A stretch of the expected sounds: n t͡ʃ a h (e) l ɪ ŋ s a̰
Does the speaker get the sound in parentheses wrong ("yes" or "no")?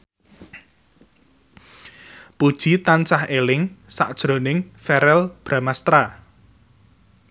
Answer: no